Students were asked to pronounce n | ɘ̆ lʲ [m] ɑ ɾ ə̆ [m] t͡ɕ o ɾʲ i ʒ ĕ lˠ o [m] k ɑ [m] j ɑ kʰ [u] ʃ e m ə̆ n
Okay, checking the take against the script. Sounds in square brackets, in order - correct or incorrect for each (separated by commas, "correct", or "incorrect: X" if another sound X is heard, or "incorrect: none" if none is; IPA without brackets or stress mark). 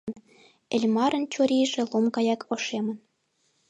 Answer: correct, incorrect: n, correct, incorrect: none, incorrect: o